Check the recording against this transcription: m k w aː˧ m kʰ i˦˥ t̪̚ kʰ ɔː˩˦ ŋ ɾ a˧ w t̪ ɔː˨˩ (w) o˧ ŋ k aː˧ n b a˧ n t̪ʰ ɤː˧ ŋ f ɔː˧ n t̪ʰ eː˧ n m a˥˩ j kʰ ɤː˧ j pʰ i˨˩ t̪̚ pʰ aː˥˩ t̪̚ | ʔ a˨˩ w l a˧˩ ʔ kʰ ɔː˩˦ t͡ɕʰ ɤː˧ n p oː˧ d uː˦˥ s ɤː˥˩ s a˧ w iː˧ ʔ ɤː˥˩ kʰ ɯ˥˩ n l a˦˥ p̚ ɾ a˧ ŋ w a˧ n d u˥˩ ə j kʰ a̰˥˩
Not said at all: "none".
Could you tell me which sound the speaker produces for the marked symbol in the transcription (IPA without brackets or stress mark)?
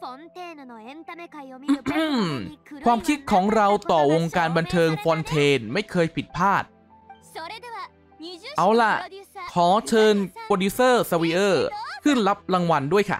w